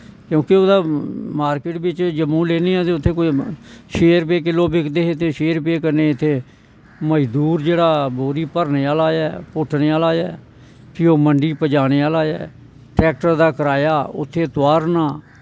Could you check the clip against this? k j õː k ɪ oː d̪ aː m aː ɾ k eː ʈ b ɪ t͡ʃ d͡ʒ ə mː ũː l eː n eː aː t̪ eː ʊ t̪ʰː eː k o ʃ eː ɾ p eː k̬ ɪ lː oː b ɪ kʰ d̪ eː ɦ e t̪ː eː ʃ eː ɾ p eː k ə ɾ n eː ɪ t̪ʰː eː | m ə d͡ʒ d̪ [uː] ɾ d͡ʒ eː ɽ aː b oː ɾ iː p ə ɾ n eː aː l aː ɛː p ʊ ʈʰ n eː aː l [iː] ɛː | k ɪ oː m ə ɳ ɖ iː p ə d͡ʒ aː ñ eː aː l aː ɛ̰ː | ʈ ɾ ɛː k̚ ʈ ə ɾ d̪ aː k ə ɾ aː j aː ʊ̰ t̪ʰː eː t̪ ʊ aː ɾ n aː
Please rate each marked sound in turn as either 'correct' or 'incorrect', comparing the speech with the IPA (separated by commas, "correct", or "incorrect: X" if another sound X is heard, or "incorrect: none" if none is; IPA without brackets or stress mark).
correct, incorrect: aː